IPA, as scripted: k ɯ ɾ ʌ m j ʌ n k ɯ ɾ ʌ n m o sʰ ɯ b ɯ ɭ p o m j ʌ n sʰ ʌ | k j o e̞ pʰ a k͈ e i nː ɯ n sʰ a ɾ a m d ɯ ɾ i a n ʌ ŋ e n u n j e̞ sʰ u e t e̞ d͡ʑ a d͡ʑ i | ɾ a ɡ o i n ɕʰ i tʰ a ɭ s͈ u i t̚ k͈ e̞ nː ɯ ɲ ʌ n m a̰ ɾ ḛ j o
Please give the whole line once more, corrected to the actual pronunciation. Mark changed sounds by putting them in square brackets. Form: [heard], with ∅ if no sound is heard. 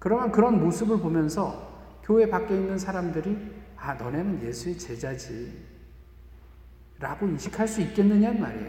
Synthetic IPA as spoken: k ɯ ɾ ʌ m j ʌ n k ɯ ɾ ʌ n m o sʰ ɯ b ɯ ɭ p o m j ʌ n sʰ ʌ | k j o e̞ [p] a k͈ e i nː ɯ n sʰ a ɾ a m d ɯ ɾ i a n ʌ [n] e n [ɯ] n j e̞ sʰ u e [t͡ɕ] e̞ d͡ʑ a d͡ʑ i | ɾ a ɡ o i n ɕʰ i [kʰ] a ɭ s͈ u i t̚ k͈ e̞ nː ɯ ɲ [a] n m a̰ ɾ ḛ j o